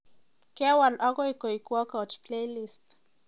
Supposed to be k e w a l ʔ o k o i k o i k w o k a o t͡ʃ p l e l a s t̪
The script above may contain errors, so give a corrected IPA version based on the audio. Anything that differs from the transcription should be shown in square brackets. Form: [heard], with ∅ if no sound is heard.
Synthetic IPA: k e w a l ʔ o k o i k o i k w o k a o t͡ʃ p l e l [i] s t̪